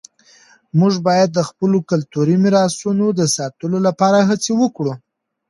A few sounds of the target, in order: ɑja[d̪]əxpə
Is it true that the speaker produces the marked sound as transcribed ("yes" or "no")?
no